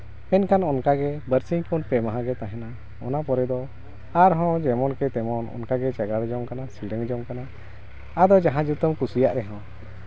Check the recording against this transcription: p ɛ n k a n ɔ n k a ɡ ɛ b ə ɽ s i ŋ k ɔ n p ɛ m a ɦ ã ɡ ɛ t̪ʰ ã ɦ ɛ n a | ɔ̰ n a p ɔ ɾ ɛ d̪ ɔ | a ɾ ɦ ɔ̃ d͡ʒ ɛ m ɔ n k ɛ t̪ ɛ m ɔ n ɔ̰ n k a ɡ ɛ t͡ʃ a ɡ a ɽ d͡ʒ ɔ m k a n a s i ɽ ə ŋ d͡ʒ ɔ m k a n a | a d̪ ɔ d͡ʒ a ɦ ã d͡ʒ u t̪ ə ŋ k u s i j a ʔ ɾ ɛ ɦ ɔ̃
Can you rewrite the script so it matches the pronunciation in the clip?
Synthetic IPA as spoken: p ɛ n k a n ɔ n k a ɡ ɛ b ə ɾ s i ŋ k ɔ n p ɛ m a ɦ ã ɡ ɛ t̪ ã ɦ ɛ n a | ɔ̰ n a p ɔ ɾ ɛ d̪ ɔ | a ɾ ɦ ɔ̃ d͡ʒ ɛ m ɔ n k ɛ t̪ ɛ m ɔ n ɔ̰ n k a ɡ ɛ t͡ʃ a ɡ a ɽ d͡ʒ ɔ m k a n a s i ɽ ə ŋ d͡ʒ ɔ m k a n a | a d̪ ɔ d͡ʒ a ɦ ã d͡ʒ u t̪ ə m k u s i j a ʔ ɾ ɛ ɦ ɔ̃